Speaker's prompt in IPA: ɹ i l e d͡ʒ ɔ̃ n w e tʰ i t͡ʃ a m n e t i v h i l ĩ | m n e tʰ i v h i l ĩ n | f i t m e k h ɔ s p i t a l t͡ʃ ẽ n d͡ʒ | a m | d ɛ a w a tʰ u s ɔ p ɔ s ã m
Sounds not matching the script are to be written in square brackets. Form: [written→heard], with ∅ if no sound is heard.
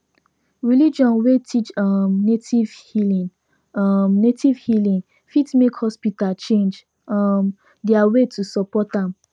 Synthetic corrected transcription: ɹ i l [e→i] d͡ʒ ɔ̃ n w e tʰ i t͡ʃ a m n e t i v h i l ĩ | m n e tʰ i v h i l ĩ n | f i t m e k h ɔ s p i t a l t͡ʃ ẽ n d͡ʒ | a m | d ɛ a w [a→e] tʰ u s ɔ p ɔ [s→t] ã m